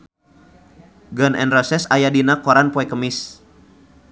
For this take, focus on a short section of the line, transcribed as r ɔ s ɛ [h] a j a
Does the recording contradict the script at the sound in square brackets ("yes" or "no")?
yes